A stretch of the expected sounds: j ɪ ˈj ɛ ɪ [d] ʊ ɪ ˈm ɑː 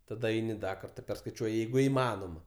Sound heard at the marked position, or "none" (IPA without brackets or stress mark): ɡ